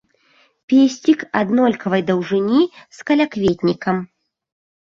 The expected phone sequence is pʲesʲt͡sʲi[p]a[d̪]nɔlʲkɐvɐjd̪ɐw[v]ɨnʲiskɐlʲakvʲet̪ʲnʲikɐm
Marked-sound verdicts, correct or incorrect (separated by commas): incorrect, correct, incorrect